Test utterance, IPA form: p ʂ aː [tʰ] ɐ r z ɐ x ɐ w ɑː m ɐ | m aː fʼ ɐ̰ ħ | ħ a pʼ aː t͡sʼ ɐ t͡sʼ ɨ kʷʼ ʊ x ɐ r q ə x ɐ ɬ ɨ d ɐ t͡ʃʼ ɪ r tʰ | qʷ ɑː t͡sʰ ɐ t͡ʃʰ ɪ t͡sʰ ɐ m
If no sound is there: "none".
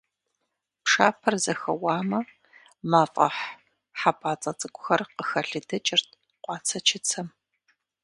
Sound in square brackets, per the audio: pʰ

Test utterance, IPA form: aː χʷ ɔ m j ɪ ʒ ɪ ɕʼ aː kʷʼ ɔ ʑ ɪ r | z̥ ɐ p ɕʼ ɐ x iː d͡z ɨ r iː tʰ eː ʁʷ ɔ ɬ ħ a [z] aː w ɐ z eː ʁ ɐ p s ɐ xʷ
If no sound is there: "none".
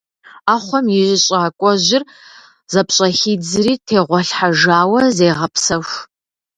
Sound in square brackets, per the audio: ʒ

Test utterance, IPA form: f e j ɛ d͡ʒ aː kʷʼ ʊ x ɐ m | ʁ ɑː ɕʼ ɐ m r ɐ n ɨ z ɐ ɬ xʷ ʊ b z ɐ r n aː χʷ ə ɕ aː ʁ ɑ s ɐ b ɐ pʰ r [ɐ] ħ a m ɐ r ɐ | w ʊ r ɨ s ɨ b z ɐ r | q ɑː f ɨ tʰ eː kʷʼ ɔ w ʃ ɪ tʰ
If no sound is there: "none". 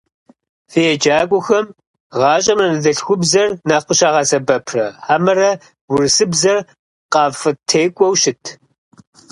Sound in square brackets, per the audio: ɐ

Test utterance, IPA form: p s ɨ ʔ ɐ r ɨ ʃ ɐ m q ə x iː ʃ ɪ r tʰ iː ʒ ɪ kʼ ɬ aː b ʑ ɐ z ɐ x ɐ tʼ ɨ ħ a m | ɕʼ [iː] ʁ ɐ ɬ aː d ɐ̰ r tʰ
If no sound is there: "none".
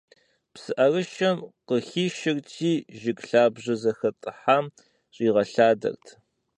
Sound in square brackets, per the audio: iː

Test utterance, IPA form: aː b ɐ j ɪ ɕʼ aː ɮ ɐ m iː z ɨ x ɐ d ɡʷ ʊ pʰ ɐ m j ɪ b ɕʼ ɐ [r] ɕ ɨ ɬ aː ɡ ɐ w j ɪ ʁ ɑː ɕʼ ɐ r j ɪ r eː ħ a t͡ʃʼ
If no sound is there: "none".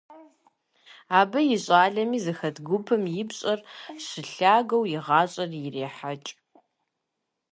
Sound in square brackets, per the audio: r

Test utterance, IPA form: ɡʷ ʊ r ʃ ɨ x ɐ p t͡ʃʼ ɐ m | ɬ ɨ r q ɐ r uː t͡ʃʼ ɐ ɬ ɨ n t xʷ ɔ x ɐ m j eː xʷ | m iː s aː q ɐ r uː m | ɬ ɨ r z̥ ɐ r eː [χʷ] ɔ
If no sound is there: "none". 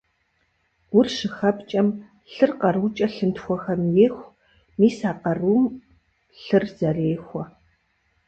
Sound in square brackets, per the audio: xʷ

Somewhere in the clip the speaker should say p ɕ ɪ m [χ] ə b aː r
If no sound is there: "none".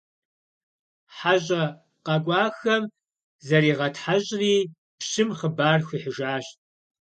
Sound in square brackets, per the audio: χ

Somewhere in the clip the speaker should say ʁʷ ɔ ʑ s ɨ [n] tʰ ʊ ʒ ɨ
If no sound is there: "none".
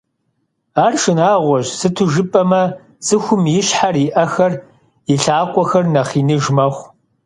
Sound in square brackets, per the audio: none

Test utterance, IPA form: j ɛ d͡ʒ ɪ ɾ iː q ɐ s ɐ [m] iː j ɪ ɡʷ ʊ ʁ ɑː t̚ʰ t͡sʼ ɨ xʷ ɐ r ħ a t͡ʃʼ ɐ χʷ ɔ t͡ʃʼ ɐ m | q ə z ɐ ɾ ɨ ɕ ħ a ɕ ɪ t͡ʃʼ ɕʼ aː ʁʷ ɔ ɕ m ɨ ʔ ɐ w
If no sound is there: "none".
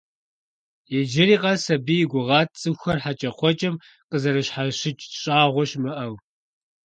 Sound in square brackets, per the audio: b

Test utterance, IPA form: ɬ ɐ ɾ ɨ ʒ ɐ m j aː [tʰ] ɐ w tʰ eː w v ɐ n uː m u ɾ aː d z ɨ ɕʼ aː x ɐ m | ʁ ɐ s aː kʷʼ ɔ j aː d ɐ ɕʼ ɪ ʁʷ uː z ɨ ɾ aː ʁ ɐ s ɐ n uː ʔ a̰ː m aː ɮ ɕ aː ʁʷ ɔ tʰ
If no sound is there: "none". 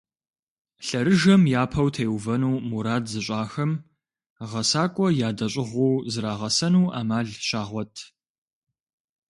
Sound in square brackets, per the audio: pʰ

